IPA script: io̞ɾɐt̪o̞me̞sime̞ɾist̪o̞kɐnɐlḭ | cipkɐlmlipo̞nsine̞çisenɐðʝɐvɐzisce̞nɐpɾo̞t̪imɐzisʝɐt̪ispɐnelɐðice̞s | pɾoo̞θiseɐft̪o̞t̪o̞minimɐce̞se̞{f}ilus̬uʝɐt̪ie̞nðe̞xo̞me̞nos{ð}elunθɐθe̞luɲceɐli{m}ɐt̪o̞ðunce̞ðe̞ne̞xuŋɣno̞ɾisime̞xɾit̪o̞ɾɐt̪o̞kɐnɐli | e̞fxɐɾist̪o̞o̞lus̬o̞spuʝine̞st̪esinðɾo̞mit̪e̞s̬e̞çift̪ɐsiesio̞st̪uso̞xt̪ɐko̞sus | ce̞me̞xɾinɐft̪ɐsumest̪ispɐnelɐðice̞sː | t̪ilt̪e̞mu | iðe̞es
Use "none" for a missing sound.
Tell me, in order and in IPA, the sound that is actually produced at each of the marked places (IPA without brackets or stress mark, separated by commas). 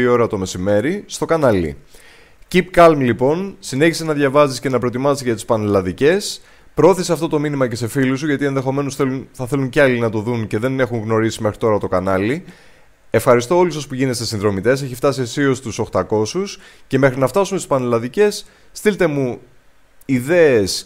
f, θ, n